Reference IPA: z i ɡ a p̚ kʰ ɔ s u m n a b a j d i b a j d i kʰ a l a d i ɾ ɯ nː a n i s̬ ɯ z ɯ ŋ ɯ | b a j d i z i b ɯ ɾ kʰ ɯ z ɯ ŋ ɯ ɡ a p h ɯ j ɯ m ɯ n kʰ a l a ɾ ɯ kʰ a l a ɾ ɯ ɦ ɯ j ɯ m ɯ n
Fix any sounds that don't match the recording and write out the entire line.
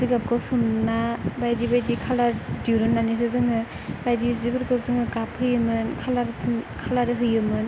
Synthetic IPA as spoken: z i ɡ a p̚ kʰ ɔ s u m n a b a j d i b a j d i kʰ a l a d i ɾ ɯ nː a n i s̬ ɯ z ɯ ŋ ɯ | b a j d i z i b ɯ ɾ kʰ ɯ z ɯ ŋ ɯ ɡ a p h ɯ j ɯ m ɯ n kʰ a l a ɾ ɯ kʰ a l a ɾ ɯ ɦ ɯ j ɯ m ɯ n